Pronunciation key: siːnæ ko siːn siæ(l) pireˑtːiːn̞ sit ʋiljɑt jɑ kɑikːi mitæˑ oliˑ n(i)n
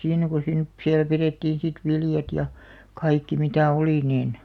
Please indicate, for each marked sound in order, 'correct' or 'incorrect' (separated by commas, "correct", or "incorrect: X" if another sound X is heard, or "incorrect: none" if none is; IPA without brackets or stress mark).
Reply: correct, incorrect: iː